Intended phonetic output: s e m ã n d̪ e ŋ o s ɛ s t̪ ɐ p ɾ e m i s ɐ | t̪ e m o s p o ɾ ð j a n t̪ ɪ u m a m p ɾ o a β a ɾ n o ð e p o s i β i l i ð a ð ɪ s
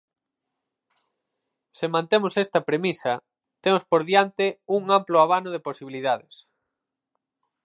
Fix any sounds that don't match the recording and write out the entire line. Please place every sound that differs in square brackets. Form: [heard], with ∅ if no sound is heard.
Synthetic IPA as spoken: s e m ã n [t̪] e [m] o s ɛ s t̪ ɐ p ɾ e m i s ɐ | t̪ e m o s p o ɾ ð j a n t̪ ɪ u [ŋ] a m p [l] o a β a [∅] n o ð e p o s i β i l i ð a ð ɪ s